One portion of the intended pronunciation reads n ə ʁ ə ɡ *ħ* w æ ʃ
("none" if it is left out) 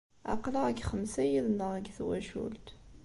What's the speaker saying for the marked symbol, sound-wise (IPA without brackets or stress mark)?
θ